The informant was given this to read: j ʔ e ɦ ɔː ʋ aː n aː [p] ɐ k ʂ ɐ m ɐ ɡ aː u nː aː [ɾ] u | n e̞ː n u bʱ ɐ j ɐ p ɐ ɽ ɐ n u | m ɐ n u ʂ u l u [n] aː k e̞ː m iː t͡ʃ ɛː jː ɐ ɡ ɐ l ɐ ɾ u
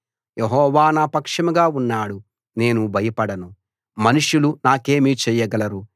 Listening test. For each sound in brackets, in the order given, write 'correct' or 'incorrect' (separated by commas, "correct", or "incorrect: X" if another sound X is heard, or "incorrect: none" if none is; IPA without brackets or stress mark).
correct, incorrect: ɽ, correct